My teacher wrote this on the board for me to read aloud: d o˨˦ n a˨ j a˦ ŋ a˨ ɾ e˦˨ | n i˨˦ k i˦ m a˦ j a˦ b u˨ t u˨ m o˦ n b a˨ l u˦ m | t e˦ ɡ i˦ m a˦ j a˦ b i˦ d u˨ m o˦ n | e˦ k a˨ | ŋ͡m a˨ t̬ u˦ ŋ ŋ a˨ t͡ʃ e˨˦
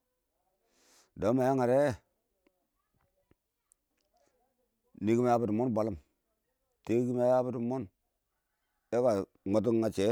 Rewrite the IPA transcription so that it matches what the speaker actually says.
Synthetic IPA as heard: d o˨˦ m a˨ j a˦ ŋ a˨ ɾ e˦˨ | n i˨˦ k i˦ m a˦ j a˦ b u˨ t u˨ m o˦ n b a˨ l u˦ m | t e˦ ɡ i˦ m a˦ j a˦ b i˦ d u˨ m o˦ n | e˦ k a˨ | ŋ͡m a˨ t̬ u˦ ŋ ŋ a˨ t͡ʃ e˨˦